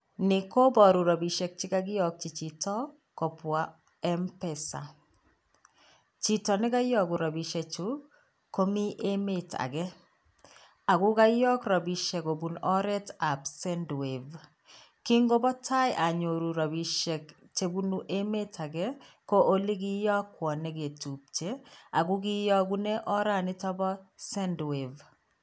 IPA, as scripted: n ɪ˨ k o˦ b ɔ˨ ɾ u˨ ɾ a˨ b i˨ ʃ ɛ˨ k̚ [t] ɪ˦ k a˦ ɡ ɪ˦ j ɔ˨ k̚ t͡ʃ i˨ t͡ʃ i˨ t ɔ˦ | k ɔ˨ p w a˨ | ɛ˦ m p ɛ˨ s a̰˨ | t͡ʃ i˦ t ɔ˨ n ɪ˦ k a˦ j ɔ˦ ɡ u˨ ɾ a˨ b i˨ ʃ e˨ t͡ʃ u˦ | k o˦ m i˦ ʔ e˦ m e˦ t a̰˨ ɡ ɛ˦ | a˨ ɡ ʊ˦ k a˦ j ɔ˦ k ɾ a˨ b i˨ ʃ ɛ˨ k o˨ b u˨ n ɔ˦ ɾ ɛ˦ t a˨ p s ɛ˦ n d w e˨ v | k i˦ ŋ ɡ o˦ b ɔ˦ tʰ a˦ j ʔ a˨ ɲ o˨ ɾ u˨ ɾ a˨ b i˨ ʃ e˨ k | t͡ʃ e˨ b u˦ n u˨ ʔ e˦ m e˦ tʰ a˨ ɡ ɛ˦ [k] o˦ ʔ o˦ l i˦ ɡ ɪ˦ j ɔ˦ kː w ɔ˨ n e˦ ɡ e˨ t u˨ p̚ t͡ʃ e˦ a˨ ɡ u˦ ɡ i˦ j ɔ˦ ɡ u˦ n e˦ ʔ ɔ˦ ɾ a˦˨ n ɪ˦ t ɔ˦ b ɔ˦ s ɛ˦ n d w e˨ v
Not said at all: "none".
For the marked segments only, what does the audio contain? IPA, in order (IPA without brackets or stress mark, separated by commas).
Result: t͡ʃ, k